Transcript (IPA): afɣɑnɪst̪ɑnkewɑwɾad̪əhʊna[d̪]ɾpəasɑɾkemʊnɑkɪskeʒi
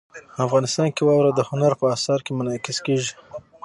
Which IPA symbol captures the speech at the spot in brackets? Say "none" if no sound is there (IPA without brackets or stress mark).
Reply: none